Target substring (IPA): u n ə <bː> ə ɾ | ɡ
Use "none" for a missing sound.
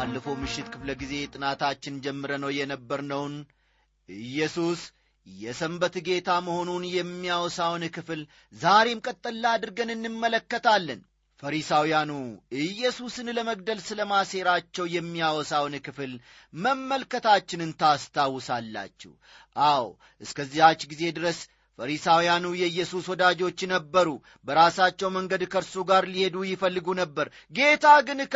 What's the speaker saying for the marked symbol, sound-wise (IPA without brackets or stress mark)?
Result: bː